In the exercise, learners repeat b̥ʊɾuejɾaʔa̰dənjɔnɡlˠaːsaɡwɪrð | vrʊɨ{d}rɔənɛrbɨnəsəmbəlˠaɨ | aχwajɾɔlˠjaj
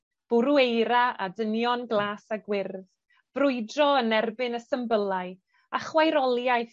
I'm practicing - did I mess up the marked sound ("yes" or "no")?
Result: no